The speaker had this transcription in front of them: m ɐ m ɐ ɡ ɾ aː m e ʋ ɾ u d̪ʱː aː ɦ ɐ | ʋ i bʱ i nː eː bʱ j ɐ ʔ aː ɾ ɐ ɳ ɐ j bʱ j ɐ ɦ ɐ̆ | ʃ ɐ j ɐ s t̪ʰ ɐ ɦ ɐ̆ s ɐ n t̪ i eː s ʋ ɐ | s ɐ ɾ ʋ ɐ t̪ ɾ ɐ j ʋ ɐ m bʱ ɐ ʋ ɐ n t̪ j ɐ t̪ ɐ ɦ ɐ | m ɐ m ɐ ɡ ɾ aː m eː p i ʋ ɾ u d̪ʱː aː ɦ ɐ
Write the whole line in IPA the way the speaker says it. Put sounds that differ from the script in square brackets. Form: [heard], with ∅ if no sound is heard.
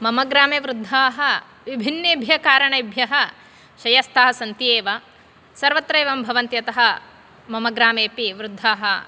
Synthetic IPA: m ɐ m ɐ ɡ ɾ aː m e ʋ ɾ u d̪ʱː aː ɦ ɐ | ʋ i bʱ i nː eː bʱ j ɐ [k] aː ɾ ɐ ɳ ɐ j bʱ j ɐ ɦ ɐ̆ | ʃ ɐ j ɐ s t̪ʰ ɐ ɦ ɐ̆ s ɐ n t̪ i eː [∅] ʋ ɐ | s ɐ ɾ ʋ ɐ t̪ ɾ ɐ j ʋ ɐ m bʱ ɐ ʋ ɐ n t̪ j ɐ t̪ ɐ ɦ ɐ | m ɐ m ɐ ɡ ɾ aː m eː p i ʋ ɾ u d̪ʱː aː ɦ ɐ